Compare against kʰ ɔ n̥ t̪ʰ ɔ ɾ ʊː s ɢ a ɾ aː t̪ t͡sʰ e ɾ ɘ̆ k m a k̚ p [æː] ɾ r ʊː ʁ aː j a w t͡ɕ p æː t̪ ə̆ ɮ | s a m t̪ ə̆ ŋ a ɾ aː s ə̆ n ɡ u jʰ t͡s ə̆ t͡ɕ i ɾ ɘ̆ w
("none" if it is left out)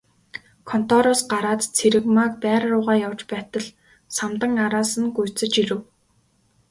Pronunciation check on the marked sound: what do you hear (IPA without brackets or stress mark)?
æː